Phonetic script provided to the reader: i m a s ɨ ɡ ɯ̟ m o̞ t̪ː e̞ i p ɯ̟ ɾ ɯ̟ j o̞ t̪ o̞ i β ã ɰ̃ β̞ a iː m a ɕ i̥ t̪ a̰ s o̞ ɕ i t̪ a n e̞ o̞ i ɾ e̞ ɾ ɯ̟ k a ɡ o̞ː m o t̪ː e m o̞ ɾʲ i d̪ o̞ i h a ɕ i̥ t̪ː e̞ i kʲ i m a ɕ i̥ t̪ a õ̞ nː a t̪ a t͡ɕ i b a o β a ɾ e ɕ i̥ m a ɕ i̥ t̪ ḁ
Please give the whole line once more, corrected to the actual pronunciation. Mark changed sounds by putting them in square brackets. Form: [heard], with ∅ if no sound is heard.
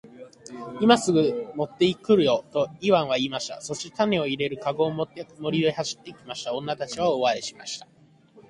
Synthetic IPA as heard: i m a s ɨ ɡ ɯ̟ m o̞ t̪ː e̞ i [k] ɯ̟ ɾ ɯ̟ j o̞ t̪ o̞ i β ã ɰ̃ β̞ a iː m a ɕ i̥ t̪ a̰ s o̞ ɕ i t̪ a n e̞ o̞ i ɾ e̞ ɾ ɯ̟ k a ɡ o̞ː m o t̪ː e m o̞ ɾʲ i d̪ o̞ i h a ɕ i̥ t̪ː e̞ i kʲ i m a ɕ i̥ t̪ a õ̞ nː a t̪ a t͡ɕ i [β] a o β a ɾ e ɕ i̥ m a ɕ i̥ t̪ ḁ